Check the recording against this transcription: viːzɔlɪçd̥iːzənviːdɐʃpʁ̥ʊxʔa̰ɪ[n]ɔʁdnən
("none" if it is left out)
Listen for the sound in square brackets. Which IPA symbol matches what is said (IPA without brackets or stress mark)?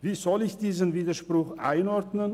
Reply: n